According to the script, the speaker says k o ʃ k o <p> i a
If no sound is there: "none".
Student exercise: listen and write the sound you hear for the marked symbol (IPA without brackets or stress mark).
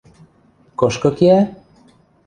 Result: k